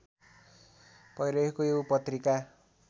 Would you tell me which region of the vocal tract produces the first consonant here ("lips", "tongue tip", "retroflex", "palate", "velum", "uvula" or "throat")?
lips